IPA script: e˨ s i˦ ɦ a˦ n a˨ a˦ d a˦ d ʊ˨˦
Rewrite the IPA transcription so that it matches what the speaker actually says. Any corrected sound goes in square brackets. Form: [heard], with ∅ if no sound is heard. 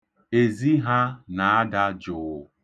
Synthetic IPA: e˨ [z] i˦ ɦ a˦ n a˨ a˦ d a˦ [d͡ʒ] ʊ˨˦